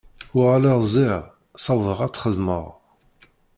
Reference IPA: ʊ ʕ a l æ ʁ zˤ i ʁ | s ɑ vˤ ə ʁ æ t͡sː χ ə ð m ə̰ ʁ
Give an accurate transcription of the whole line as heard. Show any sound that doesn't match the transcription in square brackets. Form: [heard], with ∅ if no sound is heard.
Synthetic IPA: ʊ [ʁ] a l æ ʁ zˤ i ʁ | s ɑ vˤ ə ʁ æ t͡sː χ ə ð m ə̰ ʁ